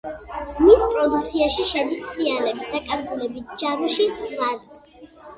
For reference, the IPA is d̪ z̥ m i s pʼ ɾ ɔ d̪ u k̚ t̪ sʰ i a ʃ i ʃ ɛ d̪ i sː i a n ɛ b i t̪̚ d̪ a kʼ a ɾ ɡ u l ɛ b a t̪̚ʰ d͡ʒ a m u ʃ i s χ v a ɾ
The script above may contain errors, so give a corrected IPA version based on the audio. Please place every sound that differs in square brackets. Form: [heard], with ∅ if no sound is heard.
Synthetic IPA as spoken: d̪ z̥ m i s pʼ ɾ ɔ d̪ u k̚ t̪ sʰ i a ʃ i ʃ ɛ d̪ i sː i a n ɛ b i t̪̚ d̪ a kʼ a ɾ ɡ u l ɛ b [i] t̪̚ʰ d͡ʒ a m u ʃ i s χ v a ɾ